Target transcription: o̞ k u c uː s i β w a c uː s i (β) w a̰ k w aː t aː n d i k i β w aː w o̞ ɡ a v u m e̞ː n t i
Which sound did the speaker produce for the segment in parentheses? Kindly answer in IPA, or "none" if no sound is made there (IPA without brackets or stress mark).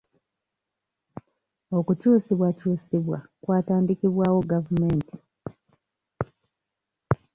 β